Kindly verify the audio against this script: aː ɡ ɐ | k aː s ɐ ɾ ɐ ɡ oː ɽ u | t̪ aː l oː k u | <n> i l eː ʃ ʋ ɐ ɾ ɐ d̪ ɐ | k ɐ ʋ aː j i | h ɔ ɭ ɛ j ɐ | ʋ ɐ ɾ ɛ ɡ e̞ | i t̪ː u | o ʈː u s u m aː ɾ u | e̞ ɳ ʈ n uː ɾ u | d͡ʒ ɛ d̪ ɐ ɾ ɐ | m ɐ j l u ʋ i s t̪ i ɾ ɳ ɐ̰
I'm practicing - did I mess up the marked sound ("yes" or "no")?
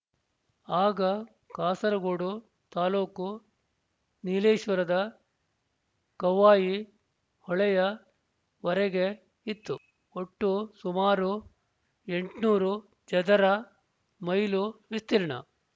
no